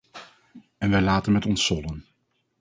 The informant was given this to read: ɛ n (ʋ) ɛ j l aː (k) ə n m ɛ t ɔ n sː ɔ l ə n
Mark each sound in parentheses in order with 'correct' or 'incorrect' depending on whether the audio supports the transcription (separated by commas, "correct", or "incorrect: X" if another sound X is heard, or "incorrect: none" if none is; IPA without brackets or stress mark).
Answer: correct, incorrect: t